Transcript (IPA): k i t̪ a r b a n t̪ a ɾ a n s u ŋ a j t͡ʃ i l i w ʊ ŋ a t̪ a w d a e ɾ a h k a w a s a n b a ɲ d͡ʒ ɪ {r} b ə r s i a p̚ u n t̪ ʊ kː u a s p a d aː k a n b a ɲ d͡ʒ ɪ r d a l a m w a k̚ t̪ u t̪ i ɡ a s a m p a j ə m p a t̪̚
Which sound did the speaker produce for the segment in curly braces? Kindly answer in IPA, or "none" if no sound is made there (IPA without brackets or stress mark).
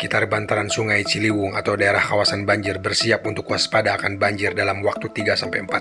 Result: r